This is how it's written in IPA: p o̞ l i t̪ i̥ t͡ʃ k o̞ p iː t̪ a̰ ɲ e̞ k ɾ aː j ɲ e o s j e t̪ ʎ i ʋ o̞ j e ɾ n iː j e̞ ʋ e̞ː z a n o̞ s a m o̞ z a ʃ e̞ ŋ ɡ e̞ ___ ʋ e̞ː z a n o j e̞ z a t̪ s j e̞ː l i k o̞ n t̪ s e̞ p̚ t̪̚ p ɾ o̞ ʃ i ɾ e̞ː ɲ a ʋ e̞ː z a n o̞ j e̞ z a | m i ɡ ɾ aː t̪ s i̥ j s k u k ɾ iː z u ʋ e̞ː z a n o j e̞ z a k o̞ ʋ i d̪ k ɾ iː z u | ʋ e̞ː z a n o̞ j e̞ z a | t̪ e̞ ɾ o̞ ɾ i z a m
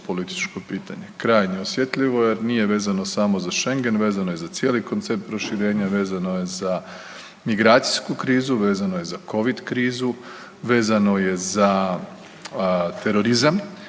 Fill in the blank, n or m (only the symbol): n